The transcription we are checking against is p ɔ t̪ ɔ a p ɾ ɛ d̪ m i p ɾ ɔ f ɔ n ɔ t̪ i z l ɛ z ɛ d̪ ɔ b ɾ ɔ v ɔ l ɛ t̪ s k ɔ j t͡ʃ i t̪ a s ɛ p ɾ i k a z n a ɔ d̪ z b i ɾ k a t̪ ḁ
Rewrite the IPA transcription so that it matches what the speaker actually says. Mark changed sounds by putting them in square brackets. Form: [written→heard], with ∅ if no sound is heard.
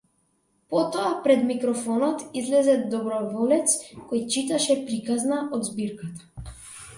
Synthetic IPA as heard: p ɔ t̪ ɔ a p ɾ ɛ d̪ m i [p→k] ɾ ɔ f ɔ n ɔ t̪ i z l ɛ z ɛ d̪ ɔ b ɾ ɔ v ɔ l ɛ t̪ s k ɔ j t͡ʃ i t̪ a [s→ʃ] ɛ p ɾ i k a z n a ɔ d̪ z b i ɾ k a t̪ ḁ